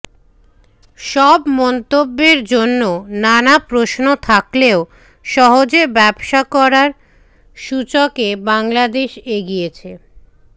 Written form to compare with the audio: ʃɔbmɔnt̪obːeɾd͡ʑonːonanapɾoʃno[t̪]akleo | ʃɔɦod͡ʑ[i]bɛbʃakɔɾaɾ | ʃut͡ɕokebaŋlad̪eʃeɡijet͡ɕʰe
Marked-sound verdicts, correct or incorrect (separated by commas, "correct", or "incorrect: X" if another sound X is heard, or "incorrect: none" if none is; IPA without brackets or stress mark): incorrect: t̪ʰ, incorrect: e